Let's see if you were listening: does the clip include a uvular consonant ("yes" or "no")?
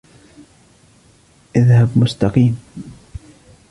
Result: yes